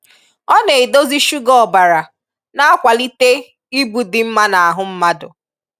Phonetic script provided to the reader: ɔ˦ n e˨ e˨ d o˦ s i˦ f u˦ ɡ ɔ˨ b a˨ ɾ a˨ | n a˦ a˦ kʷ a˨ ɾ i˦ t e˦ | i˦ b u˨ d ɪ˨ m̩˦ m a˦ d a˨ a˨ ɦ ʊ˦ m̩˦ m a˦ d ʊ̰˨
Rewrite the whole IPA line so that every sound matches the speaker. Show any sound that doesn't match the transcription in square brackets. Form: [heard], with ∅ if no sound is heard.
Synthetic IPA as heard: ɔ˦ n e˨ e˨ d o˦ [z] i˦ [ʃ] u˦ ɡ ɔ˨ b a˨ ɾ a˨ | n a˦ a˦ kʷ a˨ [l] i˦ t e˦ | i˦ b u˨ d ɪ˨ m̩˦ m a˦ [n] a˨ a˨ ɦ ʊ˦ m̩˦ m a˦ d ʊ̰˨